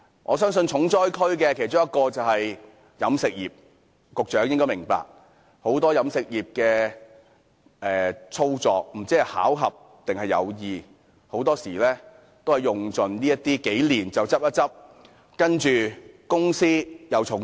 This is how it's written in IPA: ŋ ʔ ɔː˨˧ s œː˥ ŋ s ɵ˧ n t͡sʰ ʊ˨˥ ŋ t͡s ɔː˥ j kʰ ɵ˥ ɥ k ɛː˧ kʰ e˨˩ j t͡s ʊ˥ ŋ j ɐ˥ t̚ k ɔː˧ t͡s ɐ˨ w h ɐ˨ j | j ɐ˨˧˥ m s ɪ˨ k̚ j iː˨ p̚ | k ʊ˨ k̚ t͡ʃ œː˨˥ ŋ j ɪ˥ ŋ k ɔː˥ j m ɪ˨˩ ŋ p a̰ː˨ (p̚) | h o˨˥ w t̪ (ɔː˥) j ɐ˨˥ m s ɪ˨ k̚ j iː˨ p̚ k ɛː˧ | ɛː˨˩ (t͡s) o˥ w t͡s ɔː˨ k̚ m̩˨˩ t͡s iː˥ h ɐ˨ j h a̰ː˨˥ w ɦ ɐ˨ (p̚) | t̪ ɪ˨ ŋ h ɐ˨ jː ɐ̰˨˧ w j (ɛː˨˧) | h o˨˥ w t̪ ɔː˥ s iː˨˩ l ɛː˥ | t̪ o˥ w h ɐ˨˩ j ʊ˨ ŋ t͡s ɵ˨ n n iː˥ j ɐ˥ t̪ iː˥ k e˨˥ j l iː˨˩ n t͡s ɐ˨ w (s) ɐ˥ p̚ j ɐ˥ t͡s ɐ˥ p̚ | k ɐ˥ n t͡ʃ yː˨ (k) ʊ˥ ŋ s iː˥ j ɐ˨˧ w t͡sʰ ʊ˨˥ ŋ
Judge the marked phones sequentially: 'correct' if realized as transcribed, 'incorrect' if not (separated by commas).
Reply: incorrect, correct, incorrect, correct, incorrect, incorrect, correct